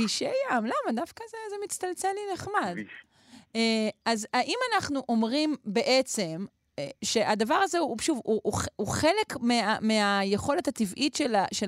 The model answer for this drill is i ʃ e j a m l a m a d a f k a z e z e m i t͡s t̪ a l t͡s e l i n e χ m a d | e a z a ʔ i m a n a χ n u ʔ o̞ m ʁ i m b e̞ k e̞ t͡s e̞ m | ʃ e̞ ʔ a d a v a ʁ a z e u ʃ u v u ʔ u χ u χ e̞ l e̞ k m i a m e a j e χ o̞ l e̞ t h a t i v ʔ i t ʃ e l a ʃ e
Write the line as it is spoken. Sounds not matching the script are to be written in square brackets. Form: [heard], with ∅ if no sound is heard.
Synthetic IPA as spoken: i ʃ e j a m l a m a d a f k a z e z e m i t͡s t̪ a l t͡s e l i n e χ m a d | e a z a ʔ i m a n a χ n u ʔ o̞ m ʁ i m b e̞ [ʔ] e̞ t͡s e̞ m | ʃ e̞ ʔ a d a v a ʁ a z e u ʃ u v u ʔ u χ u χ e̞ l e̞ k m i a m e a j e χ o̞ l e̞ t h a t i v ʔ i t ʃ e l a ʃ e